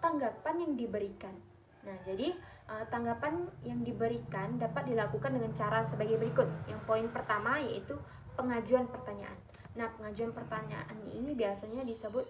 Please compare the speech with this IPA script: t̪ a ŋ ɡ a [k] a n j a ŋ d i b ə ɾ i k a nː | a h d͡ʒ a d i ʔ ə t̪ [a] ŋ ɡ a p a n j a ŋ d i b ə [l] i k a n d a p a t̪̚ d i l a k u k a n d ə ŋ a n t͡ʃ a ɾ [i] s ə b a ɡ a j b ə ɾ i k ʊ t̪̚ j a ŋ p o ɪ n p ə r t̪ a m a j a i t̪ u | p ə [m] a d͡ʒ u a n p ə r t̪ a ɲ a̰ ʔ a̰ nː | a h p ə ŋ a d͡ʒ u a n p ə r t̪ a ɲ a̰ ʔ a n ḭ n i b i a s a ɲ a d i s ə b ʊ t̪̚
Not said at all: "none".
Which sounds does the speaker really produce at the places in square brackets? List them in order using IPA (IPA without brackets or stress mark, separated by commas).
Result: p, a, ɾ, a, ŋ